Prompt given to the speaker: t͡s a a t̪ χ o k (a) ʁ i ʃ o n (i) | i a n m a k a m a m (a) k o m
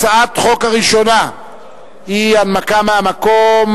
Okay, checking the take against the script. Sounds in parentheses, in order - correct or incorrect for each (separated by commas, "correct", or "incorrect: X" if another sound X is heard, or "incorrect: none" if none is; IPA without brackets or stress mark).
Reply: correct, incorrect: a, correct